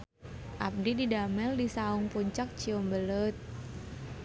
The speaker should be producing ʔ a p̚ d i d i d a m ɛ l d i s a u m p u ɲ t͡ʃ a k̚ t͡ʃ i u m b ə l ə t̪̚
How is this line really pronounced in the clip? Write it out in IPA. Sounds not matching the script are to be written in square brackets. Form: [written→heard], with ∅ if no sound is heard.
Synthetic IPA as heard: ʔ a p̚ d i d i d a m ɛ l d i s a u [m→ŋ] p u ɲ t͡ʃ a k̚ t͡ʃ i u m b ə l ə t̪̚